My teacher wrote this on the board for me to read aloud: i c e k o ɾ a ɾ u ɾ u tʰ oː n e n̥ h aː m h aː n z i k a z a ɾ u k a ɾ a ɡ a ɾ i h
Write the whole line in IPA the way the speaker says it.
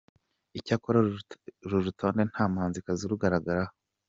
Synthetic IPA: i c a k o ɾ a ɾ u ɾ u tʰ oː n e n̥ h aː m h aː n z i k a z i ɾ u ɡ a ɾ a ɡ a ɾ a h